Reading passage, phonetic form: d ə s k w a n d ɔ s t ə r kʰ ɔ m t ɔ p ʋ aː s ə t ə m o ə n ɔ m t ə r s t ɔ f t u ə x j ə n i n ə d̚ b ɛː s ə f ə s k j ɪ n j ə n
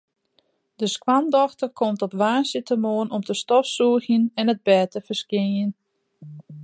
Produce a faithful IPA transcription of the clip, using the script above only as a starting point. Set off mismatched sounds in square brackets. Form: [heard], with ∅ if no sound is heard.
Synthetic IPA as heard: d ə s k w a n d ɔ [x] t ə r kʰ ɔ m t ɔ p ʋ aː s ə t ə m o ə n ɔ m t ə [∅] s t ɔ f [s] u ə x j ə n [ɛ] n ə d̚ b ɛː [t] ə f ə s k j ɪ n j ə n

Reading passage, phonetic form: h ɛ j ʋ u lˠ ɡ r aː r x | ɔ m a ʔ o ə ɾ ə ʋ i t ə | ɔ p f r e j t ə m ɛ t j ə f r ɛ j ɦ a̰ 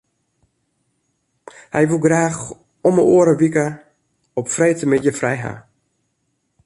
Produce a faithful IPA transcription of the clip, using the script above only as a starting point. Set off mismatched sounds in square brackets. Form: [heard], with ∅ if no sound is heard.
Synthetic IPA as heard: h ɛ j ʋ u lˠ ɡ r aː [∅] x | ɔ m [ə] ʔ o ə ɾ ə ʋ i [k] ə | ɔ p f r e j t ə m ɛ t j ə f r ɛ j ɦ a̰

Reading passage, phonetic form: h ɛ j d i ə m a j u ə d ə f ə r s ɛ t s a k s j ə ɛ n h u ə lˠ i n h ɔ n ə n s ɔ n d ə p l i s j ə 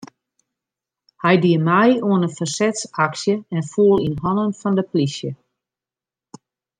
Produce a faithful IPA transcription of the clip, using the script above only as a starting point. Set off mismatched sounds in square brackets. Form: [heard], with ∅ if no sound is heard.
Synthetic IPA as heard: h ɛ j d i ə m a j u ə [n] ə f ə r s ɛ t s a k s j ə ɛ n [f] u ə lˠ i n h ɔ n ə n [f] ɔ n d ə p l i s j ə

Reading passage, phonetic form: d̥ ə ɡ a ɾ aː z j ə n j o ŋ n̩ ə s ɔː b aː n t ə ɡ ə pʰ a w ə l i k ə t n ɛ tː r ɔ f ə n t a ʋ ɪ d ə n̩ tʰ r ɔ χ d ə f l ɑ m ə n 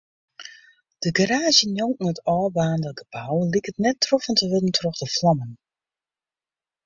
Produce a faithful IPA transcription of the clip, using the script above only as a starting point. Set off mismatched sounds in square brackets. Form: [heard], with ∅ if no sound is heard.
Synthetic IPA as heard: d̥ ə ɡ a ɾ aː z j ə n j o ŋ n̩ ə [t] ɔː b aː n [d] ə ɡ ə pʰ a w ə l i k ə t n ɛ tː r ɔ f ə n t [ə] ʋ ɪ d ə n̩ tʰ r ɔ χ d ə f l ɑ m ə n

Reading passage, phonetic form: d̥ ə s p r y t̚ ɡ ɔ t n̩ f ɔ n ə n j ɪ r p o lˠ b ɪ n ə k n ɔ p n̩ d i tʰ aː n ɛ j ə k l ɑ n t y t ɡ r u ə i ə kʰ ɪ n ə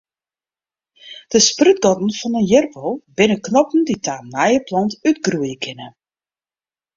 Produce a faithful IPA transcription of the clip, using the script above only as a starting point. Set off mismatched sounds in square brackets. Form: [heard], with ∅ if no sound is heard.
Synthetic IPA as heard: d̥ ə s p r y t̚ ɡ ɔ t n̩ f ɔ n ə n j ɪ r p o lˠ b ɪ n ə k n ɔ p n̩ d i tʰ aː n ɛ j ə [p] l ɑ n t y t ɡ r u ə [j] ə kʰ ɪ n ə

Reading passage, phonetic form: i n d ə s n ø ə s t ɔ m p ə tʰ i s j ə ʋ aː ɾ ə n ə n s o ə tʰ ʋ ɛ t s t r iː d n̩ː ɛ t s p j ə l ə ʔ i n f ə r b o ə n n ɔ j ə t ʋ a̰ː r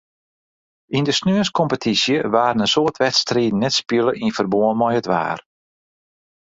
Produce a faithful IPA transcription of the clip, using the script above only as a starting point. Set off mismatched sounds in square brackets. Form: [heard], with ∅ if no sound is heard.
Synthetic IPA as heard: i n d ə s n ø ə s [k] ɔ m p ə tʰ i s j ə ʋ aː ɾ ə n ə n s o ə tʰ ʋ ɛ t s t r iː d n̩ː ɛ t s p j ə l ə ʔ i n f ə r b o ə n [m] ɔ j ə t ʋ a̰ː r

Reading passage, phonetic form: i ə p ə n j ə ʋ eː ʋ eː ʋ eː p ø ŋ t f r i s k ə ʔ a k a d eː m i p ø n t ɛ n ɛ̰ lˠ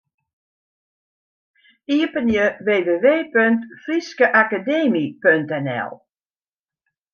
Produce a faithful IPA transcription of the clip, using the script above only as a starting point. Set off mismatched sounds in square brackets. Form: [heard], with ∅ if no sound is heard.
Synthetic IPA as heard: i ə p ə n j ə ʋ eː ʋ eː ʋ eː p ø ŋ t f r i s k ə ʔ a k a d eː m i p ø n t ɛ n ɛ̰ lˠ

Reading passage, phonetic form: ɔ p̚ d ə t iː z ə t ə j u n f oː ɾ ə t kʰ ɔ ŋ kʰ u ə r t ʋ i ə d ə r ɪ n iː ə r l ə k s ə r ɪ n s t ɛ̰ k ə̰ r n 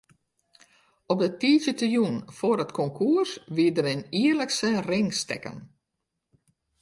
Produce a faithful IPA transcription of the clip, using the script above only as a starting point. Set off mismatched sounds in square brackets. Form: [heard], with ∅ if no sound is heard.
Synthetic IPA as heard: ɔ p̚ d ə t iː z ə t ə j u n f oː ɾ ə t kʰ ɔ ŋ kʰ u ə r [s] ʋ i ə d ə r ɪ n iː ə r l ə k s ə r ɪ [ŋ] s t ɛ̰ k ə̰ [∅] n

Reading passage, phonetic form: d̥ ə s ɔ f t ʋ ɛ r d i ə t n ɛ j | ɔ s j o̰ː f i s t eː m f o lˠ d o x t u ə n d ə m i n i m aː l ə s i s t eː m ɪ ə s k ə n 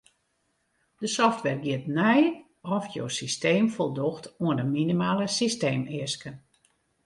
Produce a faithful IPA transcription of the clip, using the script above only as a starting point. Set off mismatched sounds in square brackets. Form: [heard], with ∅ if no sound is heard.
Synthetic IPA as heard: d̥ ə s ɔ f t ʋ ɛ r [ɡ] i ə t n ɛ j | ɔ [f] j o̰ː [s] i s t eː m f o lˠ d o x t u ə n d ə m i n i m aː l ə s i s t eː m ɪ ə s k ə n

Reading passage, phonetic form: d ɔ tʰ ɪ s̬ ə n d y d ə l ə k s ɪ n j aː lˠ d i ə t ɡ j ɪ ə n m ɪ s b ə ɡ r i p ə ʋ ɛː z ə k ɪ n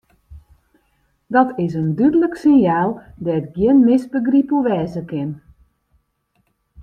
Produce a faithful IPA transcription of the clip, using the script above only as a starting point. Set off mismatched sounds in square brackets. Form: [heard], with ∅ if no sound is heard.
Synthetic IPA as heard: d ɔ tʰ ɪ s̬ ə n d y d ə l ə k s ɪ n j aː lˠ d [ɛ] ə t ɡ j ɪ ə n m ɪ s b ə ɡ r i p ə ʋ ɛː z ə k ɪ n

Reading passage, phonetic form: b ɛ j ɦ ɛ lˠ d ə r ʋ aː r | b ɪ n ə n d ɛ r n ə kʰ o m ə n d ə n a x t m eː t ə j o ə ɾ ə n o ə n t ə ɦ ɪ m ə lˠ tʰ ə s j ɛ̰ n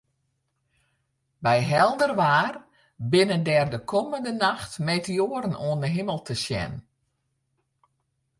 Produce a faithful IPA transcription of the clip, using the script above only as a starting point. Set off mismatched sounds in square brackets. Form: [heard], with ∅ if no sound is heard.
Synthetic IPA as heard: b ɛ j ɦ ɛ lˠ d ə r ʋ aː r | b ɪ n ə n d ɛ r [d] ə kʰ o m ə n d ə n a x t m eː t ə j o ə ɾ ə n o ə n [d] ə ɦ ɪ m ə lˠ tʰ ə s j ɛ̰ n

